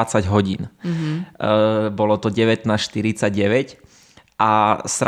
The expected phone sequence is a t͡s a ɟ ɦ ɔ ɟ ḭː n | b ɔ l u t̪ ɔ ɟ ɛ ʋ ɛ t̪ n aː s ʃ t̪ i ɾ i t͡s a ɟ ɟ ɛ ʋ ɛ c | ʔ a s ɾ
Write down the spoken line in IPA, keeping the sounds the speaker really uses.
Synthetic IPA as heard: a t͡s a ɟ ɦ ɔ ɟ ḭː n | b ɔ l ɔ t̪ ɔ ɟ ɛ ʋ ɛ t̪ n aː s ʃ t̪ i ɾ i t͡s a ɟ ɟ ɛ ʋ ɛ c | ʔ a s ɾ